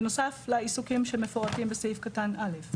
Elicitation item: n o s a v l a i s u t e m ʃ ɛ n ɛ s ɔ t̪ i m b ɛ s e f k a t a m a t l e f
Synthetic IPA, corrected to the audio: n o s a f l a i s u k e m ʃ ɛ m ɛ f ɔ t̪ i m b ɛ s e f k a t a n a l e f